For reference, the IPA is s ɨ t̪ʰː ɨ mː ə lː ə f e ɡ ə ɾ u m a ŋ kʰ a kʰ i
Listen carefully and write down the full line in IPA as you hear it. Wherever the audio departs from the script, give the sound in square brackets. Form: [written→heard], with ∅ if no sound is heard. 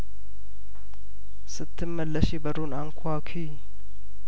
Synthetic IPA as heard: s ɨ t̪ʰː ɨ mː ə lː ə [f→ʃ] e [ɡ→b] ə ɾ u [m→n] a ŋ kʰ a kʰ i